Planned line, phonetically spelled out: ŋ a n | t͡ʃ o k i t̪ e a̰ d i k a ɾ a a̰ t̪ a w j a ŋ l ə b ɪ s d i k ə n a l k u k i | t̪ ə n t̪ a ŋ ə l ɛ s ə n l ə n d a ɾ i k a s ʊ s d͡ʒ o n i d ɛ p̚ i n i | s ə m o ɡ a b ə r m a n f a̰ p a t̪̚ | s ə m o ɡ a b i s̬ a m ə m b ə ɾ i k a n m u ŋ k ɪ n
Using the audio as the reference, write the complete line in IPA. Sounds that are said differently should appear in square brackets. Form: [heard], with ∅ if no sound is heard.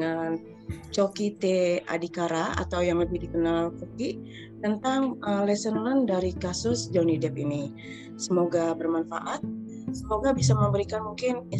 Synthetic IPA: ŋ a n | t͡ʃ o k i t̪ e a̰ d i k a ɾ a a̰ t̪ a w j a ŋ l ə b ɪ [h] d i k ə n a l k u k i | t̪ ə n t̪ a ŋ ə l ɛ s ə n l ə n d a ɾ i k a s ʊ s d͡ʒ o n i d ɛ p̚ i n i | s ə m o ɡ a b ə r m a n f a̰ [ʔ] a t̪̚ | s ə m o ɡ a b i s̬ a m ə m b ə ɾ i k a n m u ŋ k ɪ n